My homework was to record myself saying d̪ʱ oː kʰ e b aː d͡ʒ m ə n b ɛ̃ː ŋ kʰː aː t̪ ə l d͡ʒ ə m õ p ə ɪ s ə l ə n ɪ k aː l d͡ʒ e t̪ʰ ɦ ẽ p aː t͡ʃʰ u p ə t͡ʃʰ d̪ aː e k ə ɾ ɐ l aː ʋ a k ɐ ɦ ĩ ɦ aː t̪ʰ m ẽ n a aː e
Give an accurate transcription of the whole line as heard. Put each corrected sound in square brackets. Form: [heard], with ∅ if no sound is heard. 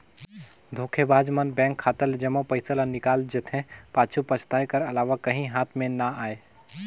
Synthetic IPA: d̪ʱ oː kʰ e b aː d͡ʒ m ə n b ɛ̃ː ŋ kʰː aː t̪ ə l d͡ʒ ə m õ p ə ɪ s ə l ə n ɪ k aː l d͡ʒ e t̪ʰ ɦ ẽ p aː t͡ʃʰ u p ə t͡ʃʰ [t̪] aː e k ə ɾ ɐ l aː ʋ a k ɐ ɦ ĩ ɦ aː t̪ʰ m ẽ n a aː e